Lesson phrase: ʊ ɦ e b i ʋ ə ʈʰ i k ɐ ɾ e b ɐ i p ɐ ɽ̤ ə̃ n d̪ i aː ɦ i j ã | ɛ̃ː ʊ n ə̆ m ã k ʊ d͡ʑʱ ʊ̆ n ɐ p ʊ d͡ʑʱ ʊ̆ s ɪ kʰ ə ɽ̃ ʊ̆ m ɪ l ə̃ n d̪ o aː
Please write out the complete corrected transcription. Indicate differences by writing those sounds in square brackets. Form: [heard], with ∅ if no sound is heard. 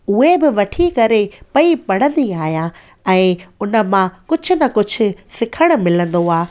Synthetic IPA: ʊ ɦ e b [ɪ] ʋ [ɐ] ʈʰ i k ɐ ɾ e [p] ɐ i p ɐ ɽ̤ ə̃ n d̪ i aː ɦ i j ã | ɛ̃ː ʊ n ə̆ m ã k ʊ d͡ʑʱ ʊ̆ n ɐ [k] ʊ d͡ʑʱ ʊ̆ s ɪ kʰ ə ɽ̃ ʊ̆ m ɪ l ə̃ n d̪ o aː